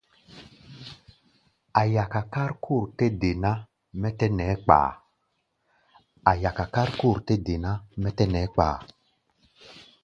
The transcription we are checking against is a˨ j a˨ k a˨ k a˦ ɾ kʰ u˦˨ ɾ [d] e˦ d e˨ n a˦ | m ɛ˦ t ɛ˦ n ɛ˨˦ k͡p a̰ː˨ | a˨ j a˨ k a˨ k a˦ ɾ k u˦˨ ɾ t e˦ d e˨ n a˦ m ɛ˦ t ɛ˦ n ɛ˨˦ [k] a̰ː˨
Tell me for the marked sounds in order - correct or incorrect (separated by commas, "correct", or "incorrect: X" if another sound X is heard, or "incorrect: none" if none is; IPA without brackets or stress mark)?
incorrect: t, incorrect: k͡p